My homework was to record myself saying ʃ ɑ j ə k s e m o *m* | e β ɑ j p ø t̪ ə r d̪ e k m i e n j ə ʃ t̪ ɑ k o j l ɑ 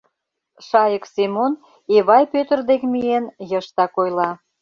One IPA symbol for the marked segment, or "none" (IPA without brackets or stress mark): n